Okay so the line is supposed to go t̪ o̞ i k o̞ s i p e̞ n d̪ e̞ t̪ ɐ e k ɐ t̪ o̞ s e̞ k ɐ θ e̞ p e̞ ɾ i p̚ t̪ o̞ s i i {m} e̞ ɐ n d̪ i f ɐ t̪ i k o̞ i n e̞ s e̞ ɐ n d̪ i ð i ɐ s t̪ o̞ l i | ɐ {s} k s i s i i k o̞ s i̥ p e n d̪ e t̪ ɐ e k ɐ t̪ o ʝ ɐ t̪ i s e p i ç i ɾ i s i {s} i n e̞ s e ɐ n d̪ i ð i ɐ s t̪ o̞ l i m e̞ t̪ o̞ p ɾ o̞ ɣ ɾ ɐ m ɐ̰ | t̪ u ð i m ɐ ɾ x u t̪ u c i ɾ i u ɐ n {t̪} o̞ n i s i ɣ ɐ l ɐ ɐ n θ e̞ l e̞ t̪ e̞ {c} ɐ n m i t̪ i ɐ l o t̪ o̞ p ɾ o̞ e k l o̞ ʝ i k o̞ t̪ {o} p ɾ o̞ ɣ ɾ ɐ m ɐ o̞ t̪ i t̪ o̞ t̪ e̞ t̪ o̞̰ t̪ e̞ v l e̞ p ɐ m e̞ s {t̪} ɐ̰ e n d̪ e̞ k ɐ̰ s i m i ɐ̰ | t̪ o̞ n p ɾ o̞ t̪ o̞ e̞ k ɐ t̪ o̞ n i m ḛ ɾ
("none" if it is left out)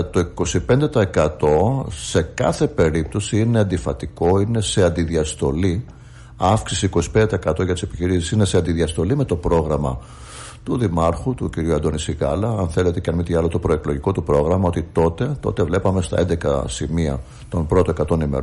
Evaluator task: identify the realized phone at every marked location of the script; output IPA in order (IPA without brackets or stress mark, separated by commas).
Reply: n, f, s, d̪, c, u, t̪